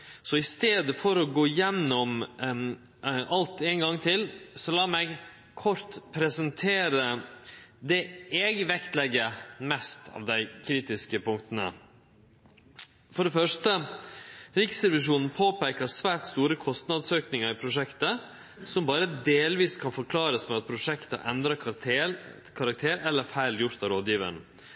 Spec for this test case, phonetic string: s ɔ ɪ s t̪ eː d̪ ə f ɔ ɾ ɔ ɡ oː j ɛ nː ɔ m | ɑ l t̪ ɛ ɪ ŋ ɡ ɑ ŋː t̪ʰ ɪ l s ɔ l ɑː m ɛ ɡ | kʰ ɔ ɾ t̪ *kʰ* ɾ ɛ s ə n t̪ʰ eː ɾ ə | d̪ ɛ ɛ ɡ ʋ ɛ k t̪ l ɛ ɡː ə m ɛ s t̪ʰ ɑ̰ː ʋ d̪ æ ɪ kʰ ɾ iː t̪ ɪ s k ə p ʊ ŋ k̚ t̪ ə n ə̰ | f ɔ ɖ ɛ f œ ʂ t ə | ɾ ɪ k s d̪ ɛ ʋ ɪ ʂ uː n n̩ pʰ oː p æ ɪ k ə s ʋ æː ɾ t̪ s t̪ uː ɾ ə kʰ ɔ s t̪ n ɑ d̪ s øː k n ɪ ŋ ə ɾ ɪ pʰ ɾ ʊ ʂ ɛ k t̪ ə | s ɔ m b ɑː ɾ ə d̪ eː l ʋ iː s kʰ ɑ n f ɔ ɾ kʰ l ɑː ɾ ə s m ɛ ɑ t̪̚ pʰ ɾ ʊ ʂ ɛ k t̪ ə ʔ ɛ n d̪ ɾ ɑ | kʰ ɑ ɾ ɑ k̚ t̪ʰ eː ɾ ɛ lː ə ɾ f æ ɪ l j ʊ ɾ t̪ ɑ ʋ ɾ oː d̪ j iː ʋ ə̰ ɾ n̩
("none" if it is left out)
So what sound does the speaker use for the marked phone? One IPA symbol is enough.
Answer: pʰ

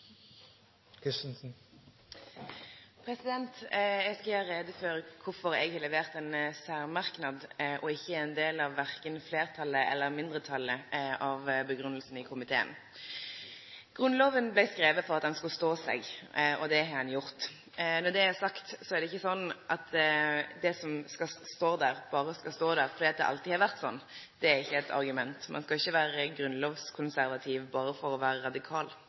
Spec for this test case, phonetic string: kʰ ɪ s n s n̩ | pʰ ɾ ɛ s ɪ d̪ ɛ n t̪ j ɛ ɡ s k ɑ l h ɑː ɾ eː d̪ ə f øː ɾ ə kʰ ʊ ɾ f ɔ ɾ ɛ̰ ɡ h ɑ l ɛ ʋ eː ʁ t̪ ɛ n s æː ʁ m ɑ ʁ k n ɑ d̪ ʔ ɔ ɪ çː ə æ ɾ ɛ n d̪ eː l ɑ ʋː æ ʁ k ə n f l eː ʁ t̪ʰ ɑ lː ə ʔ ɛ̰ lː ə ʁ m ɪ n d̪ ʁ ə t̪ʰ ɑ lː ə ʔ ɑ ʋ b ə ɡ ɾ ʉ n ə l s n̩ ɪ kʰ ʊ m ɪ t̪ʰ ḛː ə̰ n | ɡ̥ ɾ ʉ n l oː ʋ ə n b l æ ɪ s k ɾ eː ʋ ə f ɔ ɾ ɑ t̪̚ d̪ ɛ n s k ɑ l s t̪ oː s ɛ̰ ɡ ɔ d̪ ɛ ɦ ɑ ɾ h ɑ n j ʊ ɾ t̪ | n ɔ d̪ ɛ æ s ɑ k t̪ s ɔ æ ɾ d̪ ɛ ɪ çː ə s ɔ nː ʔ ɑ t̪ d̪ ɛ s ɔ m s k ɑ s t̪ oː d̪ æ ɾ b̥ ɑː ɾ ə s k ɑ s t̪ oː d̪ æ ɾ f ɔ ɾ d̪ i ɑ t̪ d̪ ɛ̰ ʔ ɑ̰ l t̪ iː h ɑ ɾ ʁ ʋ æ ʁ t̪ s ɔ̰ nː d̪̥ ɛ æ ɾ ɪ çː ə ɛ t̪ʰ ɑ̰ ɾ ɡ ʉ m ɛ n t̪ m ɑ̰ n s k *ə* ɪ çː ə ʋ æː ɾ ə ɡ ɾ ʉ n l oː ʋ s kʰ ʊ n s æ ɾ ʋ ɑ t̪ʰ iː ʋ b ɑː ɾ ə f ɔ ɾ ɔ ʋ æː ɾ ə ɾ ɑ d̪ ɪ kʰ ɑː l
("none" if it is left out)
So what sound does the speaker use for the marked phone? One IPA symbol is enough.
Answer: ɑ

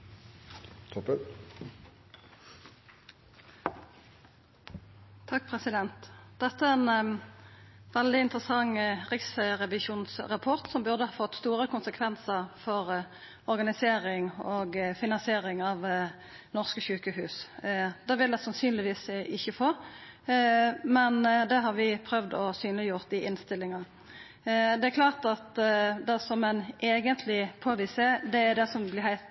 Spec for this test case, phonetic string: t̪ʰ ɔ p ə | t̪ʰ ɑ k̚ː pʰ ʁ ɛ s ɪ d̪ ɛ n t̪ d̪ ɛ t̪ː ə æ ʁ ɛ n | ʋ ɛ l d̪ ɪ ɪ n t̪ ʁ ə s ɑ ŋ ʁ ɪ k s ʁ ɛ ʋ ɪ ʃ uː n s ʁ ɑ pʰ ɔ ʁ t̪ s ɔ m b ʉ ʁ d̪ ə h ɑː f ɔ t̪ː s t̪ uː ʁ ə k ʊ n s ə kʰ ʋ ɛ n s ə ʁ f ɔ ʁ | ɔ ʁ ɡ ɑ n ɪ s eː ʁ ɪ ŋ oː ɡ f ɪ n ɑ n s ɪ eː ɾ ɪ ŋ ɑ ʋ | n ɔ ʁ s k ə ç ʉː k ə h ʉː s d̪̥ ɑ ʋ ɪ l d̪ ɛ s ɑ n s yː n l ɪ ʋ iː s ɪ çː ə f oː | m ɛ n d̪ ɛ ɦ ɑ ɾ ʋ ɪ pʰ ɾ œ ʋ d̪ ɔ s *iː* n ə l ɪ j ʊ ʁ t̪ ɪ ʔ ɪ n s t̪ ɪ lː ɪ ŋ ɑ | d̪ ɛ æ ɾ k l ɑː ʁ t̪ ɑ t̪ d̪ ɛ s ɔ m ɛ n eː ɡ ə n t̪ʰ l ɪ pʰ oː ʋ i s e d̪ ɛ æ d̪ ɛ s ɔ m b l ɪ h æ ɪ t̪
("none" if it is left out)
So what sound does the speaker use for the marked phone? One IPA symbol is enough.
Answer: yː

